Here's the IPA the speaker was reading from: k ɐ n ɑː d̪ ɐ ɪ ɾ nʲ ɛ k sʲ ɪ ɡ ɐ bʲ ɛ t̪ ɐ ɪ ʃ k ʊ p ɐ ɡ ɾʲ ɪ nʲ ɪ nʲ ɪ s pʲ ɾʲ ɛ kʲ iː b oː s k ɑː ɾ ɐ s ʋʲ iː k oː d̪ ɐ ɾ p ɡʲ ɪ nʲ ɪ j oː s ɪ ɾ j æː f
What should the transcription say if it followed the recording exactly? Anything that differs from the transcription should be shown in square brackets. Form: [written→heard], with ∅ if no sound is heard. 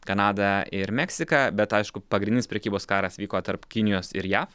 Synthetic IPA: k ɐ n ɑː d̪ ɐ ɪ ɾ [nʲ→mʲ] ɛ k sʲ ɪ [ɡ→k] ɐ bʲ ɛ t̪ ɐ ɪ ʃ k ʊ p ɐ ɡ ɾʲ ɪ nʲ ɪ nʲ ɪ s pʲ ɾʲ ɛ kʲ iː b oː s k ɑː ɾ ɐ s ʋʲ iː k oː [d̪→t̪] ɐ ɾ p [ɡʲ→kʲ] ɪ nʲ ɪ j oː s ɪ ɾ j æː f

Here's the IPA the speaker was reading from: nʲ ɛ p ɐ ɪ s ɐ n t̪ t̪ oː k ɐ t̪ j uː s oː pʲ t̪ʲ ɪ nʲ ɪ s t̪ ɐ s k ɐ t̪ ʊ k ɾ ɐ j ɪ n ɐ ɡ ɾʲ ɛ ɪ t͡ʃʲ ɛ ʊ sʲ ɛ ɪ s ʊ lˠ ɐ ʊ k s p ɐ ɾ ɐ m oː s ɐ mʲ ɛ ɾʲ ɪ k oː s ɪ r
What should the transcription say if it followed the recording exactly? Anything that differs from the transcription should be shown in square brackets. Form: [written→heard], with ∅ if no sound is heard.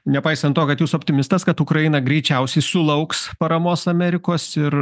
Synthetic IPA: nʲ ɛ p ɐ ɪ s ɐ n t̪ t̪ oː k ɐ t̪ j uː s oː pʲ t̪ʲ ɪ [nʲ→mʲ] ɪ s t̪ ɐ s k ɐ t̪ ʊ k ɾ ɐ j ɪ n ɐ ɡ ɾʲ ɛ ɪ t͡ʃʲ ɛ ʊ sʲ ɛ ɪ s ʊ lˠ ɐ ʊ k s p ɐ ɾ ɐ m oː s ɐ mʲ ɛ ɾʲ ɪ k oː s ɪ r

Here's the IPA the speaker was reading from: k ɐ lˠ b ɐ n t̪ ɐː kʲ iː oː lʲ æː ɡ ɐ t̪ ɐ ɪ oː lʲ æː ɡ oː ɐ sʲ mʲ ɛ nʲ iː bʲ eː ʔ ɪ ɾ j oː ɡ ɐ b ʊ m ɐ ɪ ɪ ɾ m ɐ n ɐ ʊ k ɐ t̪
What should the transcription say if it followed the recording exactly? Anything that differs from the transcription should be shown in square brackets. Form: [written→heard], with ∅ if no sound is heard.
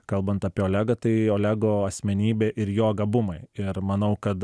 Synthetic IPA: k ɐ lˠ b ɐ n t̪ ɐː [kʲ→pʲ] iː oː lʲ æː ɡ ɐ t̪ ɐ ɪ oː lʲ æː ɡ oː ɐ sʲ mʲ ɛ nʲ iː bʲ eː ʔ ɪ ɾ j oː ɡ ɐ b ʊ m ɐ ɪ ɪ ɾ m ɐ n ɐ ʊ k ɐ t̪

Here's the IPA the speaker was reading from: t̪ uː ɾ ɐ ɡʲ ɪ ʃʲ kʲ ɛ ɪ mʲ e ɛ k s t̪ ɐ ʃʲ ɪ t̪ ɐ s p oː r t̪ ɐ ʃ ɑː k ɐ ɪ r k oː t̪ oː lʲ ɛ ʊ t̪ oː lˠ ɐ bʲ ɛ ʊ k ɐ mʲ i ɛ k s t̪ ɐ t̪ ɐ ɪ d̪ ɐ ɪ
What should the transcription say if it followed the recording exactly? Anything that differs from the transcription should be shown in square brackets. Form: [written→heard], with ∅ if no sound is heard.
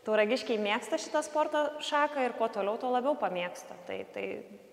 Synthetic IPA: t̪ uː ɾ ɐ ɡʲ ɪ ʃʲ kʲ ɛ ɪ mʲ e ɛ k s t̪ ɐ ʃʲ ɪ t̪ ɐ s p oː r t̪ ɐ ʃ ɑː k ɐ ɪ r k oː t̪ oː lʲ ɛ ʊ t̪ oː lˠ ɐ bʲ ɛ ʊ [k→p] ɐ mʲ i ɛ k s t̪ ɐ t̪ ɐ ɪ [d̪→t̪] ɐ ɪ

